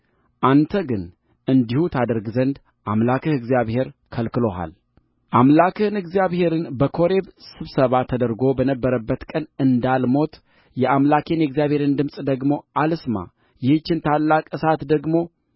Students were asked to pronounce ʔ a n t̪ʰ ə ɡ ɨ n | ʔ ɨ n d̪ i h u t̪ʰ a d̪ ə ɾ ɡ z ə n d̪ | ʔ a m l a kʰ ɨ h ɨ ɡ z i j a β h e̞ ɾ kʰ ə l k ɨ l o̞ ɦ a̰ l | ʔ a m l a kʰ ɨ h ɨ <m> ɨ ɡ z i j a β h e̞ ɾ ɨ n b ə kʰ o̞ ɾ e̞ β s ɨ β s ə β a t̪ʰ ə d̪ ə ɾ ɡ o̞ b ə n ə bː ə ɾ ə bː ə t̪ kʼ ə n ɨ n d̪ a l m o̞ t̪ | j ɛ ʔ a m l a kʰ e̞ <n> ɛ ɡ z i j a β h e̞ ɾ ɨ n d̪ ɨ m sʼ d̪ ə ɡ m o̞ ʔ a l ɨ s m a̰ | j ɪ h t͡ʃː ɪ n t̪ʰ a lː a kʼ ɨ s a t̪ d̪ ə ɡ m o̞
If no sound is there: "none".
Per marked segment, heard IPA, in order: n, n

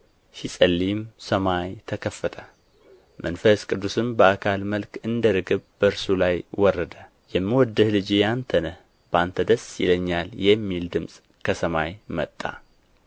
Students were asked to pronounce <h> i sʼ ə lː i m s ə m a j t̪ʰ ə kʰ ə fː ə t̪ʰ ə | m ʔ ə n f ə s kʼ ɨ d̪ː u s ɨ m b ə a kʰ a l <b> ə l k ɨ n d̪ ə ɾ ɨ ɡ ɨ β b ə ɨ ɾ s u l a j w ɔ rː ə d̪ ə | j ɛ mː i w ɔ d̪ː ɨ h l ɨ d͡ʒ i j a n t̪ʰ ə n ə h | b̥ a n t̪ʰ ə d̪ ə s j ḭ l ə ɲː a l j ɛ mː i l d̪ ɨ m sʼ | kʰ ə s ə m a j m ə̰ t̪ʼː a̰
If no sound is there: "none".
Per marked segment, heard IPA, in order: ʃ, m

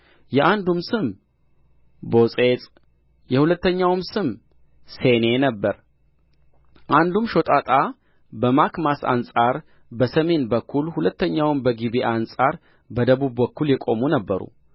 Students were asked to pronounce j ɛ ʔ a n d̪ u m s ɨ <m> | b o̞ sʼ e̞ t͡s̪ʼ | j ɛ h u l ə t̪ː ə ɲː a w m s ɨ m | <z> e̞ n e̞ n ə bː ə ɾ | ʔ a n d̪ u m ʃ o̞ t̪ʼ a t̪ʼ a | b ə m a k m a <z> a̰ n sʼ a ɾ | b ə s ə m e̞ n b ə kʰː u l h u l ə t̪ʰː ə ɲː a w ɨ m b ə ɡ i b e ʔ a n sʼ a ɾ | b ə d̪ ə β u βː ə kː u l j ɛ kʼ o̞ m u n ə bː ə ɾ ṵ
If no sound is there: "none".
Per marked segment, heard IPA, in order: m, s, s

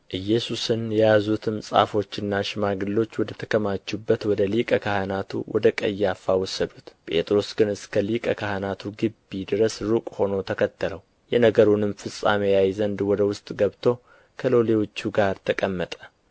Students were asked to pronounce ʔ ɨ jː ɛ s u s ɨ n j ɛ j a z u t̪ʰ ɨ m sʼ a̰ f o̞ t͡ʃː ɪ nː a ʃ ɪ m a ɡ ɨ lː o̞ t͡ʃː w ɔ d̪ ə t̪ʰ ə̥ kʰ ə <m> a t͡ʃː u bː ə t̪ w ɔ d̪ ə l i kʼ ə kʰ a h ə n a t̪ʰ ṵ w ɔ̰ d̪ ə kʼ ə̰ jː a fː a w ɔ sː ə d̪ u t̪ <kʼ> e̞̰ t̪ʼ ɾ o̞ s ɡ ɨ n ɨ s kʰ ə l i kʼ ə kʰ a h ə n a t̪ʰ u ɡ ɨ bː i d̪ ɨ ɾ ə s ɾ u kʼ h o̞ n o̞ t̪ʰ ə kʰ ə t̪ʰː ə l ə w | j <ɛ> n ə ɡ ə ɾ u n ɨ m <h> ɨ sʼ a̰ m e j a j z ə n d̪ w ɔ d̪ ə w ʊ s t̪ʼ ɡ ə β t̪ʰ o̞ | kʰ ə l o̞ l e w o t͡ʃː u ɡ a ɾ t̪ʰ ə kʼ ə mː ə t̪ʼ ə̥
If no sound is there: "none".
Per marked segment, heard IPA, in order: m, pʼ, ɛ, f

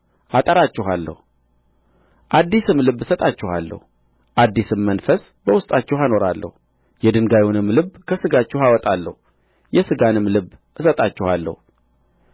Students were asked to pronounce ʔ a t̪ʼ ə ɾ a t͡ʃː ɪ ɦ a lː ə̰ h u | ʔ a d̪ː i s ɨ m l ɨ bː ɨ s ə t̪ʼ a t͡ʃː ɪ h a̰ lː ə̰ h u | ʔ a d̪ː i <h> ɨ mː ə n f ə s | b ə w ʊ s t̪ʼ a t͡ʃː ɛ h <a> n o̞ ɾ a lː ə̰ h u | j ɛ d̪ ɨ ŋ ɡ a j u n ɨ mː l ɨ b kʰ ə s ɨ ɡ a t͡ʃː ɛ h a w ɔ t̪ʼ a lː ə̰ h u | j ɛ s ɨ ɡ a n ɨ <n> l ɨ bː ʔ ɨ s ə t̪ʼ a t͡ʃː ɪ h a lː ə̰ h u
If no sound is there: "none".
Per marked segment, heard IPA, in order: s, a, m

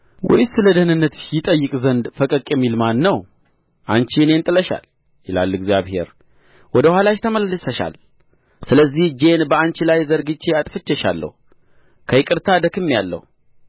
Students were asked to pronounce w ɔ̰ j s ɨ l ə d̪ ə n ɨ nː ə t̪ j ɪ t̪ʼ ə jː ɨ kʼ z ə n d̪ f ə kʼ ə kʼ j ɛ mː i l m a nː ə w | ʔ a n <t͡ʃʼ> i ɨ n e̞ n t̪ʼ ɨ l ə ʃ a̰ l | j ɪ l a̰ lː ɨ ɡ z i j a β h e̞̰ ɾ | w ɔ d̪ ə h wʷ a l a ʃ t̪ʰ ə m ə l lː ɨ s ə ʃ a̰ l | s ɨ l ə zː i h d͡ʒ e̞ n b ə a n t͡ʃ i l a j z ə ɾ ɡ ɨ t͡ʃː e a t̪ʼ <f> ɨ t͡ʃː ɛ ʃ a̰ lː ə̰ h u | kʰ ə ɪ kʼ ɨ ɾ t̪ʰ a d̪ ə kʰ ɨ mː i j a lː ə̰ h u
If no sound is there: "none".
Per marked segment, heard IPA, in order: t͡ʃ, f

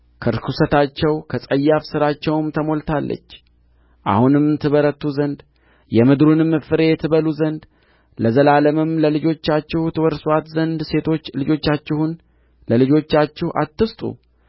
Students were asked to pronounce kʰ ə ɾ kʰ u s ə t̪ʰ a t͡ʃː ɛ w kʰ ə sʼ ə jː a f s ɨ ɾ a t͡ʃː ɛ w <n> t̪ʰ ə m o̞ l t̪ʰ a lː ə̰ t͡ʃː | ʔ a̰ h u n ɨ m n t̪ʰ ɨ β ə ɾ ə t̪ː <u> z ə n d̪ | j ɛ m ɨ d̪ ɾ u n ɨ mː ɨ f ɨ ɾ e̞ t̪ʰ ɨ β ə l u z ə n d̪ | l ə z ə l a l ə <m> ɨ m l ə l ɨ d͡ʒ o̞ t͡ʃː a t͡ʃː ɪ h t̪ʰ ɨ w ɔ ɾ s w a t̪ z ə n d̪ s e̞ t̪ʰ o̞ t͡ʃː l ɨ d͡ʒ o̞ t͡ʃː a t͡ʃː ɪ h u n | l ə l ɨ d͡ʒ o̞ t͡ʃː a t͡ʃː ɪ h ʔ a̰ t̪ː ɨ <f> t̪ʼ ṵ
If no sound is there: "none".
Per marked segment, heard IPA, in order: m, u, m, s

